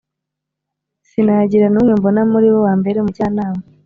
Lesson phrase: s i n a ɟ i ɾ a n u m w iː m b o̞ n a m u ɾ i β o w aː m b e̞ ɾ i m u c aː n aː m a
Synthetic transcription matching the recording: s i n a ɟ i ɾ a n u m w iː m b o̞ n a m u ɾ i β o w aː m b e̞ ɾ e m u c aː n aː m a